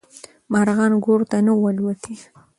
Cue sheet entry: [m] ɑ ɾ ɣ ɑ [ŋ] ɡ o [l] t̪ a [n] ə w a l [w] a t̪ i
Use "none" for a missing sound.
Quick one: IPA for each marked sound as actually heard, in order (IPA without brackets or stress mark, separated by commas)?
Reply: m, n, ɾ, n, w